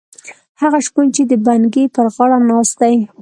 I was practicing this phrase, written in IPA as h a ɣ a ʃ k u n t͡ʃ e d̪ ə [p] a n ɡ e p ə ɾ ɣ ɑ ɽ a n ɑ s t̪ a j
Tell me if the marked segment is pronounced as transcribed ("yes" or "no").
no